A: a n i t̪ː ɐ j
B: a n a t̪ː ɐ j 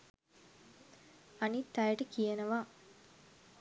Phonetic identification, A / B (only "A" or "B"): A